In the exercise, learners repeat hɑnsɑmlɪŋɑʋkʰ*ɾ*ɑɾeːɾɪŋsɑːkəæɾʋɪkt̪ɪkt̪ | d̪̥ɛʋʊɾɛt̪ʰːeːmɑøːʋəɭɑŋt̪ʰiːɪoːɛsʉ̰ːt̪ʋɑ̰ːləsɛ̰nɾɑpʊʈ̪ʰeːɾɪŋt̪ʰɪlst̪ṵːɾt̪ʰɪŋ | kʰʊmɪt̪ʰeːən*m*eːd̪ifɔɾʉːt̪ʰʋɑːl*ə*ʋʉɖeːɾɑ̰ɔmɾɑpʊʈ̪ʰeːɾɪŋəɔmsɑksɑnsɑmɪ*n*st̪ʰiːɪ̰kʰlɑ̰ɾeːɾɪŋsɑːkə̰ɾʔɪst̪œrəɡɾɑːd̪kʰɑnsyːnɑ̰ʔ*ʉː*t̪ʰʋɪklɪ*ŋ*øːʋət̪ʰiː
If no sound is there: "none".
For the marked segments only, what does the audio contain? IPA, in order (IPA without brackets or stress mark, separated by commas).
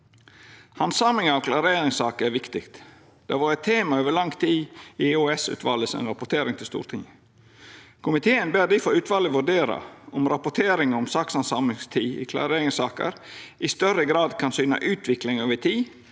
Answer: l, b, ə, ŋ, ʉː, ŋ